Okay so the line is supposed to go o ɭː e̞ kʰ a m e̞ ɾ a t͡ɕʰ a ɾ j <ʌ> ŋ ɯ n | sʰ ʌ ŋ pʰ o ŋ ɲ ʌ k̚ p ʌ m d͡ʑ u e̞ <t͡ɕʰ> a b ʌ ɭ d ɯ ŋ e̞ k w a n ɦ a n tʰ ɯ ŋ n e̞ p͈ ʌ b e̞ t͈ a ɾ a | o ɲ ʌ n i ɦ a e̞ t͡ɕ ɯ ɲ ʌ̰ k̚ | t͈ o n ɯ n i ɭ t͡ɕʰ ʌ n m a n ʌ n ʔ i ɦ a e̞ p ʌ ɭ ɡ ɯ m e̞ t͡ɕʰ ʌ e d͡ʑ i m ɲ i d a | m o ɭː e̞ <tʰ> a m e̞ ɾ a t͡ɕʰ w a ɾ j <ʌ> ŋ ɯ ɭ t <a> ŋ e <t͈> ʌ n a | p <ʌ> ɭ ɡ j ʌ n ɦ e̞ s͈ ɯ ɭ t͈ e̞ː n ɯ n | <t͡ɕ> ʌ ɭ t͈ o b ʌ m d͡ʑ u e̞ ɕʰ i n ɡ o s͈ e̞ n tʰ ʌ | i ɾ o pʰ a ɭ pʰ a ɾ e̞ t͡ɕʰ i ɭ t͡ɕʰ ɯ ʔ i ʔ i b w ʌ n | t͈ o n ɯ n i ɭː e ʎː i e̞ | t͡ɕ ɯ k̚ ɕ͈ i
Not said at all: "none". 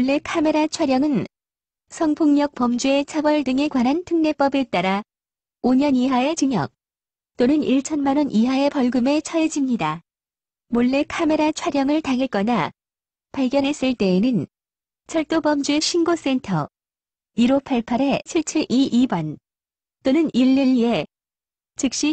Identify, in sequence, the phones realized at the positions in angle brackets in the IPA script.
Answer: ʌ, t͡ɕʰ, kʰ, ʌ, a, k͈, a, t͡ɕʰ

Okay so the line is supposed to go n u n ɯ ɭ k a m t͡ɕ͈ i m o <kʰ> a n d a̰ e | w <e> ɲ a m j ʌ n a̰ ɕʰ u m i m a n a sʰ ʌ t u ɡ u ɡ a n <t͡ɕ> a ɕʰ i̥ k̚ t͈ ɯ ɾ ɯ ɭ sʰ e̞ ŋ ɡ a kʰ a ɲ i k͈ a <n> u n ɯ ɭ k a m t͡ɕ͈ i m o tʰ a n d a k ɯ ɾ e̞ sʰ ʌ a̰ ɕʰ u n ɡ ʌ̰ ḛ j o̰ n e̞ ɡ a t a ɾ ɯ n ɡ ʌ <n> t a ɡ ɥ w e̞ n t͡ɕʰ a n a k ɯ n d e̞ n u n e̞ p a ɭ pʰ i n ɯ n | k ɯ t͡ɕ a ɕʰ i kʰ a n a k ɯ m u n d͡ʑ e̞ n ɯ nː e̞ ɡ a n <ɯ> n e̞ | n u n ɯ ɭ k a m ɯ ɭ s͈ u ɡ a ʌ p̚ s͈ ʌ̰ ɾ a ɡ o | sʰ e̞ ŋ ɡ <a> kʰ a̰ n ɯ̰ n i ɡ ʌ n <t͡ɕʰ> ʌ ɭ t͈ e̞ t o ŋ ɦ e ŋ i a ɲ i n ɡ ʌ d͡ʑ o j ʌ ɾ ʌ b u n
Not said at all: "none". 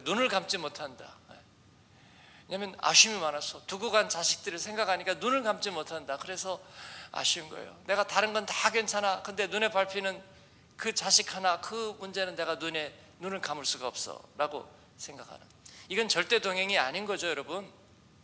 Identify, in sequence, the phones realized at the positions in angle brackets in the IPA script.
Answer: tʰ, e, t͡ɕ, n, n, u, a, t͡ɕ

